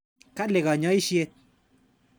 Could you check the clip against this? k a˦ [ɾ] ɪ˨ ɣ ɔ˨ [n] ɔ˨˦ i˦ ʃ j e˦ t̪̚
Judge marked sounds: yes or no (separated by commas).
no, no